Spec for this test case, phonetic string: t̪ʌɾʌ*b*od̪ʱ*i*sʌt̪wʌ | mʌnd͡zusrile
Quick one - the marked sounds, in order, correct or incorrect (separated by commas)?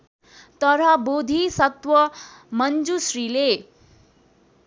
correct, correct